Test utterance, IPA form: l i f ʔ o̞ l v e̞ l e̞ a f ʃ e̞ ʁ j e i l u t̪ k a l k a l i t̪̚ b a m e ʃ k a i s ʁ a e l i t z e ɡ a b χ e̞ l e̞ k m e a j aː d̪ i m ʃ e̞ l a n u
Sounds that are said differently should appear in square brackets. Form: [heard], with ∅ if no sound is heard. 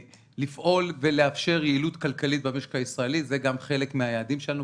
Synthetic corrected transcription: l i f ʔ o̞ l v e̞ l e̞ a f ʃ e̞ ʁ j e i l u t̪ k a l k a l i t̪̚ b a m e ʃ k a i s ʁ a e l i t z e ɡ a [m] χ e̞ l e̞ k m e a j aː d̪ i m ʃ e̞ l a n u